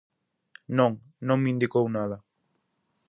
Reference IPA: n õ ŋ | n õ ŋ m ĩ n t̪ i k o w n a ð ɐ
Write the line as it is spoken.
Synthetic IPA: n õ ŋ | n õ ŋ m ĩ n d̪ i k o w n a ð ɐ